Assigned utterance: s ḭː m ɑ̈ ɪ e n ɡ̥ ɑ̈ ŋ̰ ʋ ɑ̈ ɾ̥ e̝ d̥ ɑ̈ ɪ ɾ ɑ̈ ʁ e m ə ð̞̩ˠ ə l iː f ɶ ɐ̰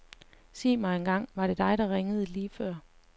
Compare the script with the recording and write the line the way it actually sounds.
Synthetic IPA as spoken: s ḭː m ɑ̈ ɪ e n ɡ̥ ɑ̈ ŋ̰ ʋ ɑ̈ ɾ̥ e̝ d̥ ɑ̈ ɪ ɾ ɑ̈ ʁ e ŋ ə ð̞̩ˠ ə l iː f ɶ ɐ̰